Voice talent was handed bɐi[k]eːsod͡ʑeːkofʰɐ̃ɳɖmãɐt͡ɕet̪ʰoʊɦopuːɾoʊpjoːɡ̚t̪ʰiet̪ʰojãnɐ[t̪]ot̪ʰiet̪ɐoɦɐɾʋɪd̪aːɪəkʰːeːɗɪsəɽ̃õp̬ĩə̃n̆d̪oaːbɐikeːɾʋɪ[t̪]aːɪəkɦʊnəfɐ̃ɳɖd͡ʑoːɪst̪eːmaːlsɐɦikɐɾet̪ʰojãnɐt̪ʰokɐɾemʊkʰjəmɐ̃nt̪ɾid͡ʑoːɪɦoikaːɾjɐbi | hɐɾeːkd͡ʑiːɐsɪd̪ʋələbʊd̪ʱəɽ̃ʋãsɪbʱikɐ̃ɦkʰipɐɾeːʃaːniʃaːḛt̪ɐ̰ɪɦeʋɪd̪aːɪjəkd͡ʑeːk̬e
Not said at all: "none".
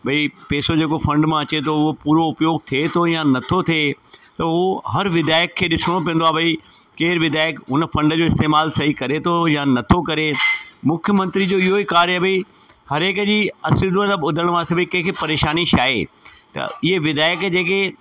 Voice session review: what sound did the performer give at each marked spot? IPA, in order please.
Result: p, t̪ʰ, d̪

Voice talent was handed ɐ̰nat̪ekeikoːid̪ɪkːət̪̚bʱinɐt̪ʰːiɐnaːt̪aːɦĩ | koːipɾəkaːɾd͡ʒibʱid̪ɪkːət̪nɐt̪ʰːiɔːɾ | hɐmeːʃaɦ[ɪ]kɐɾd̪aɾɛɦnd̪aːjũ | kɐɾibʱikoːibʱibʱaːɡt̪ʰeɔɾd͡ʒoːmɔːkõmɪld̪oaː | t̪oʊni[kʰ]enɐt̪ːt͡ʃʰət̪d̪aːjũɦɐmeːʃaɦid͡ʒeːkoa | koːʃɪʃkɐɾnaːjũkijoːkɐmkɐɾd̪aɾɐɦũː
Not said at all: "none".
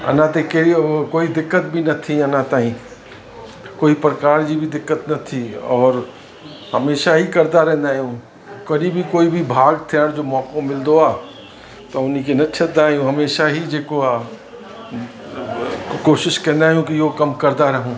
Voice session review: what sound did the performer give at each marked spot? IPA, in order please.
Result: i, k

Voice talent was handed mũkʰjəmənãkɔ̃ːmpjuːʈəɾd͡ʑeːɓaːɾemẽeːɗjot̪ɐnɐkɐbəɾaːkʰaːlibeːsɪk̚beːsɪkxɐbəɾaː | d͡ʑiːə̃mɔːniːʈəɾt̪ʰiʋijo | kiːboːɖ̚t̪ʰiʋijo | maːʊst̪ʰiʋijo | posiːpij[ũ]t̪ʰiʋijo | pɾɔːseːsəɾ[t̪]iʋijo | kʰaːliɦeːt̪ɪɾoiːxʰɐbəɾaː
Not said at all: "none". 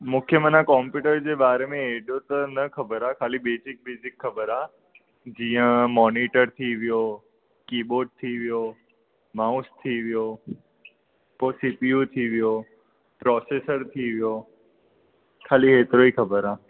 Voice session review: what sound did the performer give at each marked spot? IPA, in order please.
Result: u, t̪ʰ

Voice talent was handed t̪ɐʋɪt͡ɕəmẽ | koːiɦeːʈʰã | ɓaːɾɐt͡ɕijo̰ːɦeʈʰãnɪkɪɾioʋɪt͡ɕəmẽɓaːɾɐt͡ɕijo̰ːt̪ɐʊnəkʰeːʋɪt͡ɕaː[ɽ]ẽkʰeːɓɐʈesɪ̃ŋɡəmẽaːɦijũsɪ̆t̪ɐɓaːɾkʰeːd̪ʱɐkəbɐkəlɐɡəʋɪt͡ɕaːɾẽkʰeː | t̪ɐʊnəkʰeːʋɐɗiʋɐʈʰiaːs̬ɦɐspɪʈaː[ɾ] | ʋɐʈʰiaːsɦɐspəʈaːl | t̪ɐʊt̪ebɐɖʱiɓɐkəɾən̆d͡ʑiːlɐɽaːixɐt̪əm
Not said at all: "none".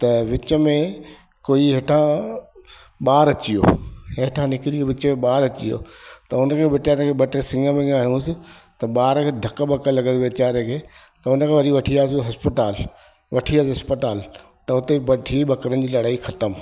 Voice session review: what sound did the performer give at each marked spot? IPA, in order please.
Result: ɾ, l

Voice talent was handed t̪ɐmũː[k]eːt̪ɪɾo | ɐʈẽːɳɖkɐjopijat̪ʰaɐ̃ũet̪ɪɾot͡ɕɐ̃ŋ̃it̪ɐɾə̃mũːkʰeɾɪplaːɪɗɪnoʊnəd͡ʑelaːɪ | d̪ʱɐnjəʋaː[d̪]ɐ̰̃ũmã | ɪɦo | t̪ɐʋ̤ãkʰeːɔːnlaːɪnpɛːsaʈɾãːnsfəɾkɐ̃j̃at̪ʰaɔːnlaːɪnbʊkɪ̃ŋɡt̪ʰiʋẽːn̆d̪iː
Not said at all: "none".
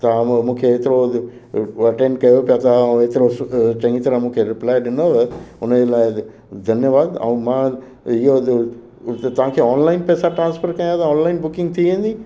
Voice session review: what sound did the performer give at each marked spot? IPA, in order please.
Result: kʰ, d̪

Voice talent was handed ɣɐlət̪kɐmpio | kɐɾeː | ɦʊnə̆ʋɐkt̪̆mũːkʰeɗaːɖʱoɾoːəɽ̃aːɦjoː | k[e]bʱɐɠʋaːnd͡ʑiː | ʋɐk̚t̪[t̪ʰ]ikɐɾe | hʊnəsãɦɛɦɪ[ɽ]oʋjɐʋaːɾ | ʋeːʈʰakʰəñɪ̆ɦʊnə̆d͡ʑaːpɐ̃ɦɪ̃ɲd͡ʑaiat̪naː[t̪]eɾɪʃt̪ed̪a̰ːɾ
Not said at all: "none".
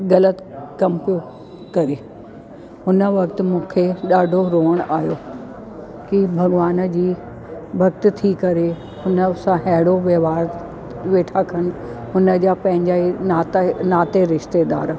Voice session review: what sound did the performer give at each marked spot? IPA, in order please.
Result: i, t̪ʰ, ɽ, t̪

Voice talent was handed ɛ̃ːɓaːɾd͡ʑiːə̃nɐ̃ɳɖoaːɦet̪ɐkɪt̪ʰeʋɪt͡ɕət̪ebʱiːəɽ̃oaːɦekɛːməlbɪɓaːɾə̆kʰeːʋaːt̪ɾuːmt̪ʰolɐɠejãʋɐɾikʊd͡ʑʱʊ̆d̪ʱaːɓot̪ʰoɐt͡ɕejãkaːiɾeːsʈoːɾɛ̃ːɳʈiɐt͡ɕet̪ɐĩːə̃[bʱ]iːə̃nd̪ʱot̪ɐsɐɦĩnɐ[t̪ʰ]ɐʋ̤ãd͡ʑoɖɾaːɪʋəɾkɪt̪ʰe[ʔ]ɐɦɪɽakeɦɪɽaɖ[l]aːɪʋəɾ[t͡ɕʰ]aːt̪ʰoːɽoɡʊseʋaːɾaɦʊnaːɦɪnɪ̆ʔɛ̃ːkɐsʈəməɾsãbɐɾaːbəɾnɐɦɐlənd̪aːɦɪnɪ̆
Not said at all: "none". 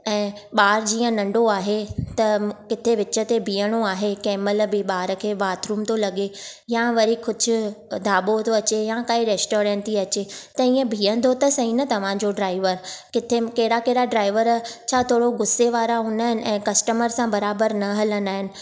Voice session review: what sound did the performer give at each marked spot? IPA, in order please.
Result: bʱ, t̪, k, ɾ, t͡ɕʰ

